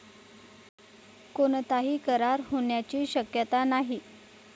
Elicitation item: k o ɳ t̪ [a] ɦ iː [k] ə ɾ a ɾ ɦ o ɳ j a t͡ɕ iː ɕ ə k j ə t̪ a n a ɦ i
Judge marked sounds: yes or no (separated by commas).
yes, yes